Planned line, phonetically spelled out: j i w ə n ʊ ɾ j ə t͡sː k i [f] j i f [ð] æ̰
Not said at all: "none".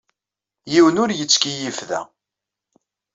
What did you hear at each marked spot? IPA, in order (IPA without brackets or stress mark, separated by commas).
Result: none, ð